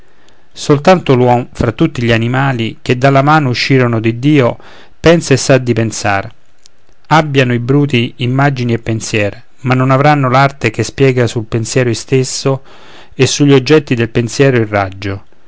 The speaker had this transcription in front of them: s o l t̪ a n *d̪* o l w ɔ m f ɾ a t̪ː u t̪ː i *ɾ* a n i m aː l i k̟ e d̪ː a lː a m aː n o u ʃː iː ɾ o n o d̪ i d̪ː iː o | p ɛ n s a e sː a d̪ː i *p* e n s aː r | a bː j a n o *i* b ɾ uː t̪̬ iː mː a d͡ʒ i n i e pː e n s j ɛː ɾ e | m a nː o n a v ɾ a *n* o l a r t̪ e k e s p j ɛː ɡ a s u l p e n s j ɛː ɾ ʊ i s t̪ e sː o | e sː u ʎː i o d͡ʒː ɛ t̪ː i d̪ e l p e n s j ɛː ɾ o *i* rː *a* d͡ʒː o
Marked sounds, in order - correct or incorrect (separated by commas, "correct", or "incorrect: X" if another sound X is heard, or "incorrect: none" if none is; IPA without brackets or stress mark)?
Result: incorrect: t̪, incorrect: ʎ, correct, correct, incorrect: nː, correct, correct